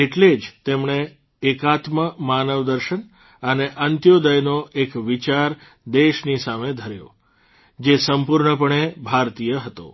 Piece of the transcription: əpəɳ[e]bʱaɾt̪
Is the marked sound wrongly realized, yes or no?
no